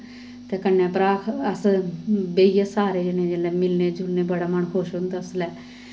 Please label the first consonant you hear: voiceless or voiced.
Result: voiceless